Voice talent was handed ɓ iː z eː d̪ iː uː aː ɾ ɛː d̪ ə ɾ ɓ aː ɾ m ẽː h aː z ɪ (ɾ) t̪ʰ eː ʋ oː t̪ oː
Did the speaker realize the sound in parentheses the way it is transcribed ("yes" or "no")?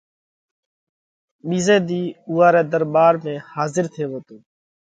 yes